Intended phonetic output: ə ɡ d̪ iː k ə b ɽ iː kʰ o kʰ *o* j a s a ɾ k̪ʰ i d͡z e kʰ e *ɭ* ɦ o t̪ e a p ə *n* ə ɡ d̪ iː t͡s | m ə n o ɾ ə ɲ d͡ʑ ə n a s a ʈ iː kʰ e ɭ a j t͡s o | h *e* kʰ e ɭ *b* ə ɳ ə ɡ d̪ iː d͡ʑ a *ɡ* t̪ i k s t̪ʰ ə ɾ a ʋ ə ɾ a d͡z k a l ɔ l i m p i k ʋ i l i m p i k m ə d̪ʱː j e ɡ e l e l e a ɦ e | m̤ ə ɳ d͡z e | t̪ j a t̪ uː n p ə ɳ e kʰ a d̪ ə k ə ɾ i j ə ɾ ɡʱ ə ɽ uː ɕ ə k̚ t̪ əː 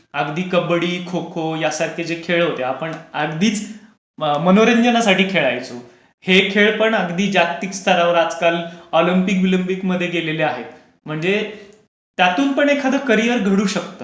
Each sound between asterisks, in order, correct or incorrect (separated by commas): correct, correct, incorrect, correct, incorrect, incorrect